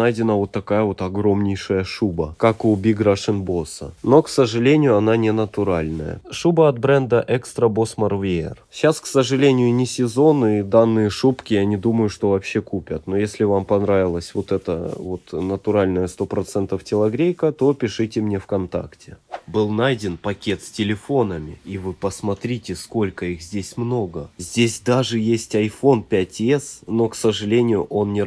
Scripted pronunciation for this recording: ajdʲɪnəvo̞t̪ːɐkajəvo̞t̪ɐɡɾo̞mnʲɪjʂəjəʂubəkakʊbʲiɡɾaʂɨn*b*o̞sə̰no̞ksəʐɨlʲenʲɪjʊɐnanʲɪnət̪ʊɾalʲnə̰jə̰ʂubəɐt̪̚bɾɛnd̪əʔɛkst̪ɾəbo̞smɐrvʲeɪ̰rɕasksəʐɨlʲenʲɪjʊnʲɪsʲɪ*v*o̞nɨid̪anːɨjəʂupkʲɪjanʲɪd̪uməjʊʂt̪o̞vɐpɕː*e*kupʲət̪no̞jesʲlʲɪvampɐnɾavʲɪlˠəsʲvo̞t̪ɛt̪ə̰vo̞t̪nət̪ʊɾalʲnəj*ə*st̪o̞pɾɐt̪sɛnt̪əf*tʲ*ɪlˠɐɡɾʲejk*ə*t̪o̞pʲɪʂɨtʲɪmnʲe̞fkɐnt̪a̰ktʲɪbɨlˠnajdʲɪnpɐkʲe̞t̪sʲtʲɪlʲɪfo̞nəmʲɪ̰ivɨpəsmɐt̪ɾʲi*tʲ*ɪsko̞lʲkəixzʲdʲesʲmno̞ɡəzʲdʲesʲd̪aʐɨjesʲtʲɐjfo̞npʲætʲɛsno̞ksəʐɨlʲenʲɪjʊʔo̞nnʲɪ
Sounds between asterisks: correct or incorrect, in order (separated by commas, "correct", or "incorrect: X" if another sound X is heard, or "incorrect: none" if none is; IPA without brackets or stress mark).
correct, incorrect: z, correct, correct, correct, correct, correct